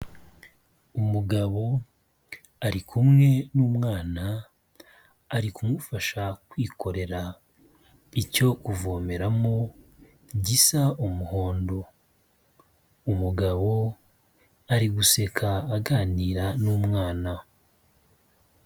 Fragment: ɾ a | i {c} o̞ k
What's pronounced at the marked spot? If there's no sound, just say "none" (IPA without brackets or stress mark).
c